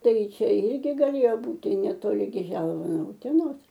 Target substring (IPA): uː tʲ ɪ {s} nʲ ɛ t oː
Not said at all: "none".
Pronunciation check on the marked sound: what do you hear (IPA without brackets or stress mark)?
none